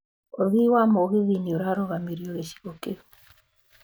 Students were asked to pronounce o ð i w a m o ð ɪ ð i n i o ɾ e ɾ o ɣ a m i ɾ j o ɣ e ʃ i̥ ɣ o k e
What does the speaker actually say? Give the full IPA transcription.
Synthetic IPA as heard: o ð i w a m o ɣ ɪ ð i n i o ɾ a ɾ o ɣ a m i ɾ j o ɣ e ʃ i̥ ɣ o k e